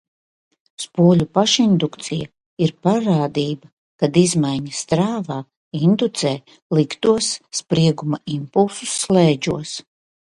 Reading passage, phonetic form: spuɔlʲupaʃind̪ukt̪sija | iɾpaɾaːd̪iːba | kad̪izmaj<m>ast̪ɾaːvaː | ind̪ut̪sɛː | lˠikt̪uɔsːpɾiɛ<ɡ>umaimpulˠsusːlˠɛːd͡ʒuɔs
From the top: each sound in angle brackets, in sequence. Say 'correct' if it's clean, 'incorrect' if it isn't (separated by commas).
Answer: incorrect, correct